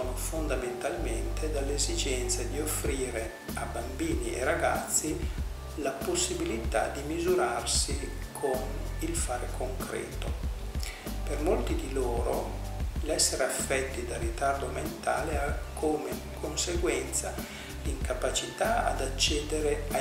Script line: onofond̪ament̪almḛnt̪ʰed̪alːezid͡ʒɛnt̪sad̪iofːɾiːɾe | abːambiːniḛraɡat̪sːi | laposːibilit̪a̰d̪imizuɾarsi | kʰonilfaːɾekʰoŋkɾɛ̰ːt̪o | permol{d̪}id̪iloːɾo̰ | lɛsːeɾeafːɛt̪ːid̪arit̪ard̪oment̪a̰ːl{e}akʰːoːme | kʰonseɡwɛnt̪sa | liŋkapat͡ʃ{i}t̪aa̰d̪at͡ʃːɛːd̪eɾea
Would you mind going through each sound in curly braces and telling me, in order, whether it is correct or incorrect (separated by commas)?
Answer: incorrect, correct, correct